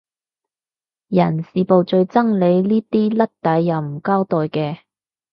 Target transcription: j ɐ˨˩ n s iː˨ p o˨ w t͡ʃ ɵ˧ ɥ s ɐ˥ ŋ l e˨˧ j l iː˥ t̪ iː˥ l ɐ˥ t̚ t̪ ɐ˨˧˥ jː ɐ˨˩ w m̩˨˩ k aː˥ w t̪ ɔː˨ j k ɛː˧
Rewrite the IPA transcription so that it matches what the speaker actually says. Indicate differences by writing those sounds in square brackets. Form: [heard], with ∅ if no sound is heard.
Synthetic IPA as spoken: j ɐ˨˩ n s iː˨ p o˨ w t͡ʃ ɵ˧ ɥ [t͡s] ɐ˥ ŋ l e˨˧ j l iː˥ t̪ iː˥ l ɐ˥ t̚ t̪ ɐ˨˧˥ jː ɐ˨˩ w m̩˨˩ k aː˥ w t̪ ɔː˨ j k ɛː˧

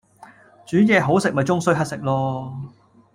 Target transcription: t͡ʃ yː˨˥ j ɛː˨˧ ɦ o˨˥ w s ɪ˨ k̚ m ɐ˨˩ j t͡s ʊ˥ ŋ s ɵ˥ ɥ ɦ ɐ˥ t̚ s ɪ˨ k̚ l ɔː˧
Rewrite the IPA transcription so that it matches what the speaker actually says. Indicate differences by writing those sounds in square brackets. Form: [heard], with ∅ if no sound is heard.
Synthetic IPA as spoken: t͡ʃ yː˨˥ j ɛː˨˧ ɦ o˨˥ w s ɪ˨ k̚ m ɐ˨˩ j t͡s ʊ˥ ŋ s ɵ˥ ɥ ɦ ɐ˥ t̚ s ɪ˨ k̚ l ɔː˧

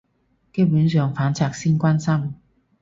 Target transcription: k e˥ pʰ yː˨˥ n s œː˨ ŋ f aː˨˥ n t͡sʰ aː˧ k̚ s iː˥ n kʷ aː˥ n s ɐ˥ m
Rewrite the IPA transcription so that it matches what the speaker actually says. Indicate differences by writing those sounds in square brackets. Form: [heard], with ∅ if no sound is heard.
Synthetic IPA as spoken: k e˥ [p] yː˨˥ n s œː˨ ŋ f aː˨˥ n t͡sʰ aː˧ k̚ s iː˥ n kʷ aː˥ n s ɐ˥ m

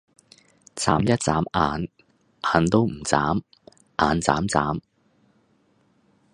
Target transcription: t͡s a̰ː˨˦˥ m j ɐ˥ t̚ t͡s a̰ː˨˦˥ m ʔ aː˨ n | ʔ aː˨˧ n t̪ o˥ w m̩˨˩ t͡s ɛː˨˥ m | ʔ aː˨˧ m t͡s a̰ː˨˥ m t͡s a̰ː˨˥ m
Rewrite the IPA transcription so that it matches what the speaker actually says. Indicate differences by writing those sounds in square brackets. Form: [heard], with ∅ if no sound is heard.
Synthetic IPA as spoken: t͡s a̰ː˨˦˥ m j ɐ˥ t̚ t͡s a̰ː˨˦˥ m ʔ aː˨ n | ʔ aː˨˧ n t̪ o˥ w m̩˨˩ t͡s [aː˨˥] m | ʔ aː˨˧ [n] t͡s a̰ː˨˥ m t͡s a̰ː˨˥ m

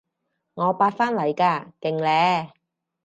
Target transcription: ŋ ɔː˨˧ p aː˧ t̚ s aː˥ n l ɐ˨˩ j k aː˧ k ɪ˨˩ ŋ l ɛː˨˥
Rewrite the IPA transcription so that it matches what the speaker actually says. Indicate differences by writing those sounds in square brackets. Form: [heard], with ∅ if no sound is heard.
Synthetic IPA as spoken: ŋ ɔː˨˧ p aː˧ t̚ [f] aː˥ n l ɐ˨˩ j k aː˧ k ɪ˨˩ ŋ l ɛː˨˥

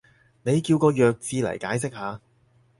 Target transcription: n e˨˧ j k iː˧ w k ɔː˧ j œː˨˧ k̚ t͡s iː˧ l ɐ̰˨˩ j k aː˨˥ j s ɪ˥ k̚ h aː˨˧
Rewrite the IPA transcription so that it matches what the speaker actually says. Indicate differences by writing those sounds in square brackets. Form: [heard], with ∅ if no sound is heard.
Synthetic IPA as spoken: n e˨˧ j k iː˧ w k ɔː˧ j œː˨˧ k̚ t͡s iː˧ l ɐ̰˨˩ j k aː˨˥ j s ɪ˥ k̚ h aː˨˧

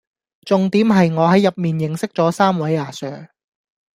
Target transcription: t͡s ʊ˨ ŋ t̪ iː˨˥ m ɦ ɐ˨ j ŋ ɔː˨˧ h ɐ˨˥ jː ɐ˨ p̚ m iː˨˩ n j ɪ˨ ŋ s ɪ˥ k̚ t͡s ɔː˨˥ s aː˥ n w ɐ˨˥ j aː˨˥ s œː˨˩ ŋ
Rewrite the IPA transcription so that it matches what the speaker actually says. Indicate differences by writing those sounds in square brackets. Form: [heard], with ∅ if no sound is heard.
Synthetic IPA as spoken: t͡s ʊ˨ ŋ t̪ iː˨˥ m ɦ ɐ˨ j ŋ ɔː˨˧ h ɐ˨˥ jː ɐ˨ p̚ m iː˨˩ n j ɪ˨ ŋ s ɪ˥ k̚ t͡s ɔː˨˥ s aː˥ [m] w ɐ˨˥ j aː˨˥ s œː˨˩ ŋ

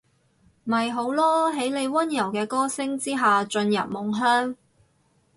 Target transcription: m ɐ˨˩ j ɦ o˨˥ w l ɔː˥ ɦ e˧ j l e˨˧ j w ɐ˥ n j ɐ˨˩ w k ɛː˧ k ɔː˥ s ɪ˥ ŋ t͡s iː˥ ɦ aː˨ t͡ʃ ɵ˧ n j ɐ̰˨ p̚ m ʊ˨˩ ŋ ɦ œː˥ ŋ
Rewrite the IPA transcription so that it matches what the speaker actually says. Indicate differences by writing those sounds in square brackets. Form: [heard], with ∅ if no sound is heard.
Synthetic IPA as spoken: m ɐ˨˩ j ɦ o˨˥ w l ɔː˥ ɦ [e˨˥] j l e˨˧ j w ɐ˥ n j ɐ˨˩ w k ɛː˧ k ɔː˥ s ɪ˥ ŋ t͡s iː˥ ɦ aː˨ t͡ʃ ɵ˧ n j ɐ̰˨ p̚ m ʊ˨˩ ŋ ɦ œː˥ ŋ

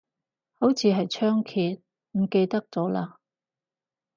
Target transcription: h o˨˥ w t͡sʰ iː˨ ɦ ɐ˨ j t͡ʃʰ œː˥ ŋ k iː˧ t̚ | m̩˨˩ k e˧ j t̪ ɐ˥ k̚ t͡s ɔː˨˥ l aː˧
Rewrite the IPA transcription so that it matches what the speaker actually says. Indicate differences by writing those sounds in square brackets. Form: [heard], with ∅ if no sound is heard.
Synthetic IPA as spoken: h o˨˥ w t͡sʰ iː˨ ɦ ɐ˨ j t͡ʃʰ œː˥ ŋ [kʰ] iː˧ t̚ | m̩˨˩ k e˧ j t̪ ɐ˥ k̚ t͡s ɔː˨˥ l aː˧

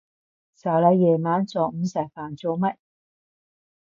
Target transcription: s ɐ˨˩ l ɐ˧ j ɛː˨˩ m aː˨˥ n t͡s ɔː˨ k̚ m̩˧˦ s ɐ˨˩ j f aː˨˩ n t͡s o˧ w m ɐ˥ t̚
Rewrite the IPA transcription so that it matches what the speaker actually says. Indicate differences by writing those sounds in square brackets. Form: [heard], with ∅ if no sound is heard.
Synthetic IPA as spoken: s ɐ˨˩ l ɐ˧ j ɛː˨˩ m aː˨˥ n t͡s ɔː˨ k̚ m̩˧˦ s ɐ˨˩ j f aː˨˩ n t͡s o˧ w m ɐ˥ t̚

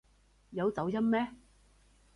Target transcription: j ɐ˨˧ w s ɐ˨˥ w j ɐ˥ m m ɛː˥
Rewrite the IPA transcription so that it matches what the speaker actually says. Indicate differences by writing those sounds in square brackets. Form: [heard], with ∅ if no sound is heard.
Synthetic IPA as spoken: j ɐ˨˧ w [t͡s] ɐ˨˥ w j ɐ˥ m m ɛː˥

